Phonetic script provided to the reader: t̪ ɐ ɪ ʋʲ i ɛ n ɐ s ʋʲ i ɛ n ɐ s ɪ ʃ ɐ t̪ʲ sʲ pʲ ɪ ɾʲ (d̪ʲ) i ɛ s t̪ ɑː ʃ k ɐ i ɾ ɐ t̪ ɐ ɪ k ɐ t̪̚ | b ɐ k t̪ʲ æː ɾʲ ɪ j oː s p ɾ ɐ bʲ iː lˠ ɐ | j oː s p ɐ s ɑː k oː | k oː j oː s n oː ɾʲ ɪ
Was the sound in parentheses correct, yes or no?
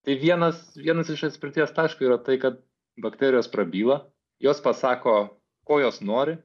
no